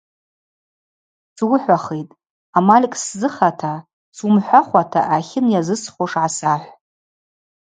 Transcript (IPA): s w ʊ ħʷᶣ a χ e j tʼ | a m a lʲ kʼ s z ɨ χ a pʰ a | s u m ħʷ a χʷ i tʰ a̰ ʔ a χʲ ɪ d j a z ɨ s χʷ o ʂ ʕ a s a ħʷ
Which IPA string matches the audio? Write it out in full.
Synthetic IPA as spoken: s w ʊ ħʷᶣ a χ e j tʼ | a m a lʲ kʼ s z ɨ χ a tʰ a | s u m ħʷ a χʷ a tʰ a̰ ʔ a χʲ ɪ n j a z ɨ s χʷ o ʂ ʕ a s a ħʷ